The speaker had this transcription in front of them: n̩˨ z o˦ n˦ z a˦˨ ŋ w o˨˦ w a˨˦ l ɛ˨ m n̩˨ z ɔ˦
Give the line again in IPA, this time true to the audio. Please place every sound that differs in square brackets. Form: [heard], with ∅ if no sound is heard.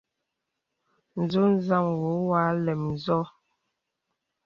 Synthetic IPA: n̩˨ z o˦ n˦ z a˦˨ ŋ w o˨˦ w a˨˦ l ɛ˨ m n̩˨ z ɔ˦